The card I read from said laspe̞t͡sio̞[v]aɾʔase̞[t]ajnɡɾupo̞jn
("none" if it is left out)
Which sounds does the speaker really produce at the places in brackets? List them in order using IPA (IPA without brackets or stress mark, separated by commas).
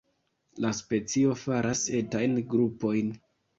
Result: f, t